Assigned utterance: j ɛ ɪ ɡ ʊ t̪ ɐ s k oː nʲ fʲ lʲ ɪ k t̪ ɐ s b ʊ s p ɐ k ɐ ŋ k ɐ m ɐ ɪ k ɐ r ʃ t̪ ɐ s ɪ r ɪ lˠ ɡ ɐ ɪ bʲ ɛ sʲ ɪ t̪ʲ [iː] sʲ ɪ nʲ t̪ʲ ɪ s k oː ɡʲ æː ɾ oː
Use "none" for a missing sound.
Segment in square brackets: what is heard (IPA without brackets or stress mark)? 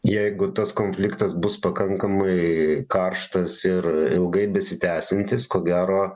æː